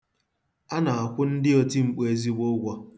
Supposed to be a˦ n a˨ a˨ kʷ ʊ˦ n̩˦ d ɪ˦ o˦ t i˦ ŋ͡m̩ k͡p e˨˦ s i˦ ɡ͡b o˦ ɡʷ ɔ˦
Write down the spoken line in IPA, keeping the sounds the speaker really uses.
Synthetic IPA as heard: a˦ n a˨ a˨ kʷ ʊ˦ n̩˦ d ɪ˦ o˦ t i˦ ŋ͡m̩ k͡p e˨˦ z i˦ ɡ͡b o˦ ɡʷ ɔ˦